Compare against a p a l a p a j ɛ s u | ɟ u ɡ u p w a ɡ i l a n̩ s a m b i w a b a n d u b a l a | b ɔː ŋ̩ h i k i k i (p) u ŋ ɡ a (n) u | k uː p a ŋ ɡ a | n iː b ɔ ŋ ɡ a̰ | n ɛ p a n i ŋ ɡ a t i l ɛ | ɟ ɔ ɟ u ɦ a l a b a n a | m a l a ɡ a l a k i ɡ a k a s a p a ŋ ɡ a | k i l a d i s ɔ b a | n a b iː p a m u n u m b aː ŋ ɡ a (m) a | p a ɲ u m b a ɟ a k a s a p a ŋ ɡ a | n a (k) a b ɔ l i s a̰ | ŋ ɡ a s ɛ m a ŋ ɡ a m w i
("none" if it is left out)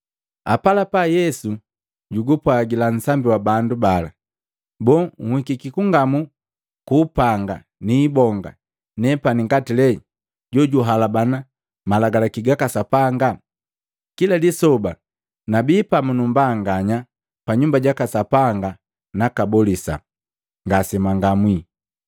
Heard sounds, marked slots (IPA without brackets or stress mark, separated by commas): k, m, ɲ, k